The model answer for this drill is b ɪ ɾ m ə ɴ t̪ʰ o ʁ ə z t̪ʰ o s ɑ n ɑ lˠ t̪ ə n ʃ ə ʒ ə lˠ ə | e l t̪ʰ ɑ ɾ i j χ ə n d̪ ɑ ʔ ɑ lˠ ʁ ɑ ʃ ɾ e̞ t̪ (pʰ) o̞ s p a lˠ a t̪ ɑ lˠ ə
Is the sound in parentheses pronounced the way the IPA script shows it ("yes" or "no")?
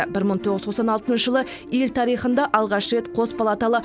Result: no